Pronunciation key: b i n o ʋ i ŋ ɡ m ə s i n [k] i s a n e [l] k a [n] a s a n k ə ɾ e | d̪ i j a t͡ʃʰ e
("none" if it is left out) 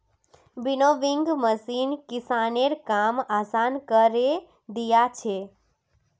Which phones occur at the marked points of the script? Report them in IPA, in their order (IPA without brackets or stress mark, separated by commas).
k, ɾ, m